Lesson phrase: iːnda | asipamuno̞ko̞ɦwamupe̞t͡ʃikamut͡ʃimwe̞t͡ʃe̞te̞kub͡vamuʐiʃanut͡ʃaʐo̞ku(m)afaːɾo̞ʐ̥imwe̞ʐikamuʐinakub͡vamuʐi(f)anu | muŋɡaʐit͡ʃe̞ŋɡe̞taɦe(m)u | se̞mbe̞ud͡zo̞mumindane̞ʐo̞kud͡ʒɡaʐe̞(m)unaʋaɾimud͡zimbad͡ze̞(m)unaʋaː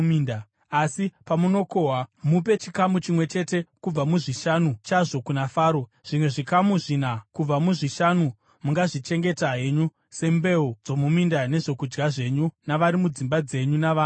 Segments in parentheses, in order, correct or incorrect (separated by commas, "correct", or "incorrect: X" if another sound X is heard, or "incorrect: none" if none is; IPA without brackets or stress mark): incorrect: n, incorrect: ʃ, incorrect: ɲ, incorrect: ɲ, incorrect: ɲ